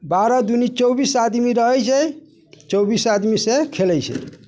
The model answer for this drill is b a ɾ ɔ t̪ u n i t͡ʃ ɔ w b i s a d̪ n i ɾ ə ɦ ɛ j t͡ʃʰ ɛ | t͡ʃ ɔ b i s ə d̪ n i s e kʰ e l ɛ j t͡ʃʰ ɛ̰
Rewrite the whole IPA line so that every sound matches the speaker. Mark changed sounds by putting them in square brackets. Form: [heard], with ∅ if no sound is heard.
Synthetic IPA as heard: b a ɾ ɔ [d̪] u n i t͡ʃ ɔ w b i s a d̪ [m] i ɾ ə ɦ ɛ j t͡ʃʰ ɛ | t͡ʃ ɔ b i s [a] d̪ [m] i s e kʰ e l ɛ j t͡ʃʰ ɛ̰